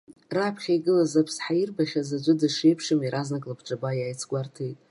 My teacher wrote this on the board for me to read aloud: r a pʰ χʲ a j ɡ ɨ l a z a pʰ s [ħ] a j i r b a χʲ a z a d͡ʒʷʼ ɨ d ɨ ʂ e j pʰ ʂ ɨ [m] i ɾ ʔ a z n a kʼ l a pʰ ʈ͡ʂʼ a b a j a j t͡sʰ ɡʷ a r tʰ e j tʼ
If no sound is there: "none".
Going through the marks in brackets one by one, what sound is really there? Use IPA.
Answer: ħ, m

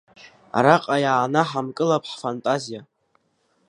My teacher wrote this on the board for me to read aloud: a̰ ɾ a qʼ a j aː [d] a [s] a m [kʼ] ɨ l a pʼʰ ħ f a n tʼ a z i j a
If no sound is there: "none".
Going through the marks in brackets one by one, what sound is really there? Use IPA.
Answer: n, ħ, kʼ

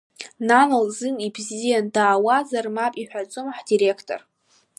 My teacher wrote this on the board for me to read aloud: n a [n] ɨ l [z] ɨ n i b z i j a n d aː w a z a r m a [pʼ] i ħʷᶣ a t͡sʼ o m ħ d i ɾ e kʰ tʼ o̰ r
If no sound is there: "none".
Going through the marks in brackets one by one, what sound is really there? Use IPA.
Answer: n, z, pʼ

